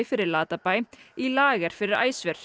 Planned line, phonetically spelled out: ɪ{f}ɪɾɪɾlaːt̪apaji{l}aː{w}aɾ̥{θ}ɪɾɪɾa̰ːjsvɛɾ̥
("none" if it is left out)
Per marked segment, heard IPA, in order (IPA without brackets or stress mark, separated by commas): f, l, ɣ, f